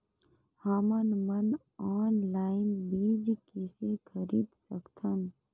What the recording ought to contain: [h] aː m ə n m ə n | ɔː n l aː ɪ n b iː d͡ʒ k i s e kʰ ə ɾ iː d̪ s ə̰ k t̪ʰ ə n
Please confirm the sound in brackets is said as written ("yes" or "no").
yes